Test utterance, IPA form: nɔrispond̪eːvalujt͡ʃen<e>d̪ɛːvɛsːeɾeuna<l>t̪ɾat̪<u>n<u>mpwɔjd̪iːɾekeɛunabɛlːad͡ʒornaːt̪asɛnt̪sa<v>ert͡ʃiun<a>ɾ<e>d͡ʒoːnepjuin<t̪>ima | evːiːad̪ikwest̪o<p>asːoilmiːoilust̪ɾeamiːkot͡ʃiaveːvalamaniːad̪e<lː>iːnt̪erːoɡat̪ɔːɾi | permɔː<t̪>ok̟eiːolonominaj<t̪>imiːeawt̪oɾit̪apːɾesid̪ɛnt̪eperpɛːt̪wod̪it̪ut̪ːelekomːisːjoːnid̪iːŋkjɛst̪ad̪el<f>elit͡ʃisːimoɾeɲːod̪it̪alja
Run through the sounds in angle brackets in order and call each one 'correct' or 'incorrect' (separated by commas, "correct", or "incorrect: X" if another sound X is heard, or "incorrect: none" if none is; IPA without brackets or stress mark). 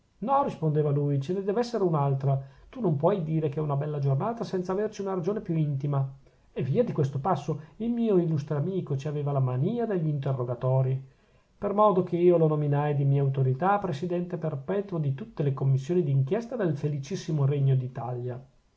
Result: correct, correct, correct, incorrect: o, correct, correct, incorrect: a, correct, correct, incorrect: ʎː, incorrect: d̪, incorrect: d̪, correct